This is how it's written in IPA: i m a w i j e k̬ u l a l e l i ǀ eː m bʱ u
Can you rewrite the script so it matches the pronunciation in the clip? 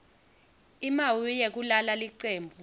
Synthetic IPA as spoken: i m a w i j e k̬ u l a l a l i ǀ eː m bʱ u

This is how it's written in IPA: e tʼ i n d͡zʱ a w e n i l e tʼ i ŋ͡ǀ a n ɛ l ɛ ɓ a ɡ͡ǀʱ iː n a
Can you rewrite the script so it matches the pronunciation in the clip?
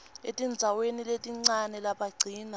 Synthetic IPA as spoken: e tʼ i n d͡zʱ a w e n i l e tʼ i ŋ͡ǀ a n ɛ l a ɓ a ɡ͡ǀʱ iː n a

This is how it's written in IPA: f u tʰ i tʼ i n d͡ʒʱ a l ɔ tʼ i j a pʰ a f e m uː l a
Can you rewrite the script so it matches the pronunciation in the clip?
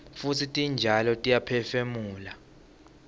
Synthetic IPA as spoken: f u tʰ i tʼ i n d͡ʒʱ a l ɔ tʼ i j a pʰ ɛ f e m uː l a

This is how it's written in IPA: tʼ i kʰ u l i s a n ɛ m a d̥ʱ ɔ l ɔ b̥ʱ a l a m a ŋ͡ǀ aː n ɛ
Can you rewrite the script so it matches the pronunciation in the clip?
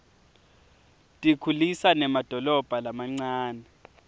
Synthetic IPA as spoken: tʼ i kʰ u l i s a n ɛ m a d̥ʱ ɔ l ɔ b̥ʱ a l a m a ŋ͡ǀ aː n ɛ

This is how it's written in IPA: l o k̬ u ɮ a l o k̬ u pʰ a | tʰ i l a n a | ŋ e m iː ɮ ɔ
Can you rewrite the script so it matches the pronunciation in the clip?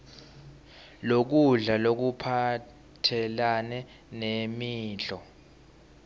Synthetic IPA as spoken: l o k̬ u ɮ a l o k̬ u pʰ a | tʰ ɛ l a n ɛ | n e m iː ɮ ɔ

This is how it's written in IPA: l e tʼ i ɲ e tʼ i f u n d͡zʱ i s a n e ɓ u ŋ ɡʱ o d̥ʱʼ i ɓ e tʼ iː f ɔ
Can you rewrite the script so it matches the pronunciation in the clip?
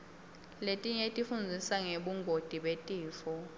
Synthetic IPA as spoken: l e tʼ i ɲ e tʼ i f u n d͡zʱ i s a ŋ e ɓ u ŋ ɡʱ o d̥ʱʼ i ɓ e tʼ iː f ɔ

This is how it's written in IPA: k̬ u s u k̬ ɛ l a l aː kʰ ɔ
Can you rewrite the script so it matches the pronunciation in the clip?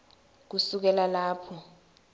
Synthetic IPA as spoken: k̬ u s u k̬ ɛ l a l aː pʰ ɔ

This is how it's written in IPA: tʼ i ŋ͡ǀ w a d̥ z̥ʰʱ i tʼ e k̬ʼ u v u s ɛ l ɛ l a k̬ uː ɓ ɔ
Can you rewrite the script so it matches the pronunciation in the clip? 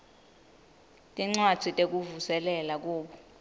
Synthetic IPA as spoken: tʼ i ŋ͡ǀ w a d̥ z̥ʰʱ i tʼ e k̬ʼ u v u s ɛ l ɛ l a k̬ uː ɓ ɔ

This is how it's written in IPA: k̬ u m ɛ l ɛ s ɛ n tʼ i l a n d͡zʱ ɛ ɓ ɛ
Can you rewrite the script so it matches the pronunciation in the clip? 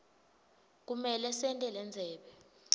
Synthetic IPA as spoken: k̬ u m ɛ l ɛ s ɛ n tʼ ɛ l ɛ n d͡zʱ ɛː ɓ ɛ

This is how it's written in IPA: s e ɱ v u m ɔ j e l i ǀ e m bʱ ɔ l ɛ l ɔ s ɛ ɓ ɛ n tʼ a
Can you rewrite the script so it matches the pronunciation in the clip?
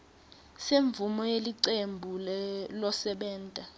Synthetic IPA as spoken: s e ɱ v u m ɔ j e l i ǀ e m bʱ u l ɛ l ɔ s ɛ ɓ ɛː n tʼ a

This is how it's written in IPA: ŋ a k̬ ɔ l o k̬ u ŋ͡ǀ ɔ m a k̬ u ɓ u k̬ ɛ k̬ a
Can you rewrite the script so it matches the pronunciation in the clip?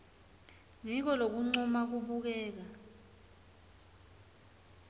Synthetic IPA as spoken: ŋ i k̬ ɔ l o k̬ u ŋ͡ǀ ɔ m a k̬ u ɓ u k̬ ɛː k̬ a

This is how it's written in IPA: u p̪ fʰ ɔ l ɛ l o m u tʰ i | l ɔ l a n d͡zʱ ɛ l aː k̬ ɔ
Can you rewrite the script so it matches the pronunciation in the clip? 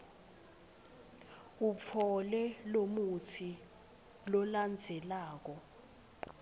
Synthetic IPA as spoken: u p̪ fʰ ɔ l ɛ l o m u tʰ i | l ɔ l a n d͡zʱ ɛ l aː k̬ ɔ

